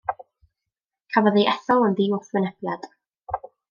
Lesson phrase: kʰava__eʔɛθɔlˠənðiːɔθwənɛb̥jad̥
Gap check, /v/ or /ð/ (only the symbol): ð